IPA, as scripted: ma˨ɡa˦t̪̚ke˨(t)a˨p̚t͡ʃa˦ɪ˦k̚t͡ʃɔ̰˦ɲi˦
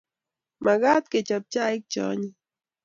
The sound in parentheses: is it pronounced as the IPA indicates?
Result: no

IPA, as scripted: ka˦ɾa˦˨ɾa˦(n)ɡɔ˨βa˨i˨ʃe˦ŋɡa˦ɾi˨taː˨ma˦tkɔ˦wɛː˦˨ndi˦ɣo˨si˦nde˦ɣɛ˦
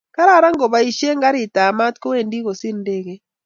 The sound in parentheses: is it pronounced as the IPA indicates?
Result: no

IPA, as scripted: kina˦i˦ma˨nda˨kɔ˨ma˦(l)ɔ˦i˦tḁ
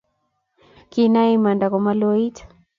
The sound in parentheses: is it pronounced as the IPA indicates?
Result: yes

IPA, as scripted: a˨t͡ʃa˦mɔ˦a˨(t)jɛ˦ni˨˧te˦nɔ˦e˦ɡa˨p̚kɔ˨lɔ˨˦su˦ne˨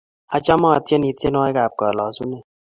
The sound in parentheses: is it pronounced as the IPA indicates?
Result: yes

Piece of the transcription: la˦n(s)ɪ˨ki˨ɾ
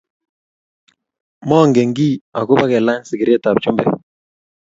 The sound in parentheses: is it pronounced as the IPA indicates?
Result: yes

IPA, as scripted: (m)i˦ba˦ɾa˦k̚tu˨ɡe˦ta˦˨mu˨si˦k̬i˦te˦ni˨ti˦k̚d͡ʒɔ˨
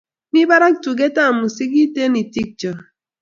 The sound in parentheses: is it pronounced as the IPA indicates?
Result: no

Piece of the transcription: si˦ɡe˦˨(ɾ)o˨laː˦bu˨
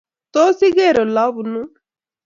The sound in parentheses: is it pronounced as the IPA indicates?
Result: yes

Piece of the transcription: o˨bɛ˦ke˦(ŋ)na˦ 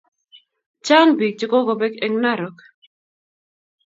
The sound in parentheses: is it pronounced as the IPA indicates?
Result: yes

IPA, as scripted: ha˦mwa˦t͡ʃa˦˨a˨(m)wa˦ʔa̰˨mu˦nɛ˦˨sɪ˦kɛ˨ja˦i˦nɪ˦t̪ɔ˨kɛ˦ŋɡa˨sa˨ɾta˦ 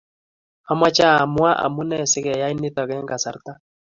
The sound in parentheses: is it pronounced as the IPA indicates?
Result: yes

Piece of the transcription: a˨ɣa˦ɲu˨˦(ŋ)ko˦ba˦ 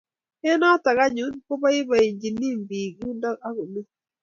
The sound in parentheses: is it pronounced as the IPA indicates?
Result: no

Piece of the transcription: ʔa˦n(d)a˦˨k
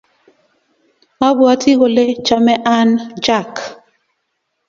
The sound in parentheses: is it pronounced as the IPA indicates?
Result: no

